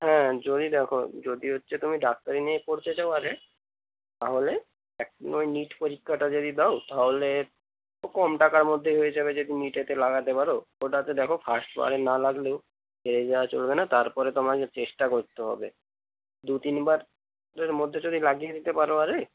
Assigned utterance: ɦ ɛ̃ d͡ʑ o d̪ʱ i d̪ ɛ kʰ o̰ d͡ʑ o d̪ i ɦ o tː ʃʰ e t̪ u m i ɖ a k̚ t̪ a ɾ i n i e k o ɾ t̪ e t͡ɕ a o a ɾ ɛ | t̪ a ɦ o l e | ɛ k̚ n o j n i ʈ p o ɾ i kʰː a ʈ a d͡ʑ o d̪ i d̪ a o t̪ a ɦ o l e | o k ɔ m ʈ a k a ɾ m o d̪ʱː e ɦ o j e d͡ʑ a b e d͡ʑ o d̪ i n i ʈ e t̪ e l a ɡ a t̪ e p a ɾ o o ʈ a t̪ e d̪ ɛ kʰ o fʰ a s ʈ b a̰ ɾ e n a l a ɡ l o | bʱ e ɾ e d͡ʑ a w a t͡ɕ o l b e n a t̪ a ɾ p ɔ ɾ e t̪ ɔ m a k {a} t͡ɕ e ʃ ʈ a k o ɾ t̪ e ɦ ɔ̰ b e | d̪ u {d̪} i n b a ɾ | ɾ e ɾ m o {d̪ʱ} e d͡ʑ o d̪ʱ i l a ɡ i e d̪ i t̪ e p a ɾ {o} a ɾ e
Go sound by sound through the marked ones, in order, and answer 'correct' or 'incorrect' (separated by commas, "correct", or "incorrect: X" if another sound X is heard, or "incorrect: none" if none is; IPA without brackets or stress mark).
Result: incorrect: e, incorrect: t̪, incorrect: d̪ʱː, correct